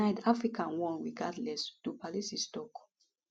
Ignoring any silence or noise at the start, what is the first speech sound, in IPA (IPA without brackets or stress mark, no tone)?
a